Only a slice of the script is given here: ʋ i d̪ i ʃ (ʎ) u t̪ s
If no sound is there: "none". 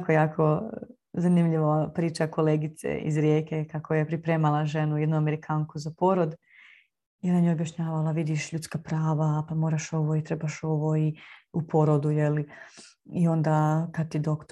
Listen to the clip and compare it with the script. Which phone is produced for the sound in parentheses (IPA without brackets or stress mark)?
ʎ